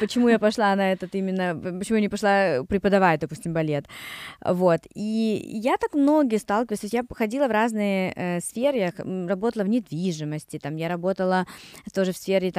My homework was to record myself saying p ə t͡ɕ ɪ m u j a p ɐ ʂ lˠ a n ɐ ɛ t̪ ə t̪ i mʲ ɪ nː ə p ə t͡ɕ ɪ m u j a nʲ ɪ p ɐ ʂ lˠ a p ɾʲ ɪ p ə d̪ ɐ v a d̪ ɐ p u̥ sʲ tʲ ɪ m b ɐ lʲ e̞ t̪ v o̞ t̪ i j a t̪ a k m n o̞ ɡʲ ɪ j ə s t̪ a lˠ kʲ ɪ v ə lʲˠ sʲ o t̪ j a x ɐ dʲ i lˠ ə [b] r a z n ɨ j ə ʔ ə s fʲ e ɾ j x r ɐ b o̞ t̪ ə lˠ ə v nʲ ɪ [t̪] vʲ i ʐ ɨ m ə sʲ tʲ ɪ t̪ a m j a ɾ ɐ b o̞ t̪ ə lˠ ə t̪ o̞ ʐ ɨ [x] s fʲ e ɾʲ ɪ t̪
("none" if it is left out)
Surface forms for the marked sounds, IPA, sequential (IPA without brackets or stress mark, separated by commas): v, d̪, f